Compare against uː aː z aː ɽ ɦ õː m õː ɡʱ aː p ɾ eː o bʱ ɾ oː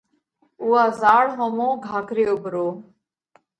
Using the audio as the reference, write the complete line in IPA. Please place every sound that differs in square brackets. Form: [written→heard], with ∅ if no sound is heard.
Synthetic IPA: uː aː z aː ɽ ɦ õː m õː ɡʱ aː [p→k] ɾ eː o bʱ ɾ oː